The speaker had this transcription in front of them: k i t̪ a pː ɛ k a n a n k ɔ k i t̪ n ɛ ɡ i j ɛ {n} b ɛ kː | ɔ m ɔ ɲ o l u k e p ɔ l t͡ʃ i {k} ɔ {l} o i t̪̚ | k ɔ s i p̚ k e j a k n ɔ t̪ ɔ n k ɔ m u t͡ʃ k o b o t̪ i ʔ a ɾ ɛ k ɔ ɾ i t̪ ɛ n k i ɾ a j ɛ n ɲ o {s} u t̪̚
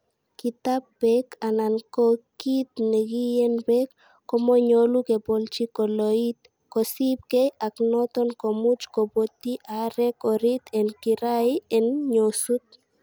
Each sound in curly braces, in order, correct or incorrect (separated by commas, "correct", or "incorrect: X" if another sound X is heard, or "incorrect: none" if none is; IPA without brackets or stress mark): correct, correct, correct, correct